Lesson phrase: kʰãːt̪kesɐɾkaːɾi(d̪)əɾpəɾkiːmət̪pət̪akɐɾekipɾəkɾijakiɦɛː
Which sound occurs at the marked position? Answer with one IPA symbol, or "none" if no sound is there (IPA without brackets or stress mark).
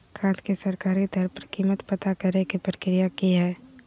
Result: t̪